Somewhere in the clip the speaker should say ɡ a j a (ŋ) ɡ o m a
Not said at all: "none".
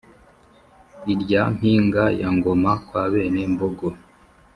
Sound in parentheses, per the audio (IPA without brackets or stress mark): ŋ